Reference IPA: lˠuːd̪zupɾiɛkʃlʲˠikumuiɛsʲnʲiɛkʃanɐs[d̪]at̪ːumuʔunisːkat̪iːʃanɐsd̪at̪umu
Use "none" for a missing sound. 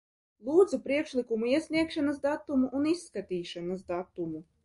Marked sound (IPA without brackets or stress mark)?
d̪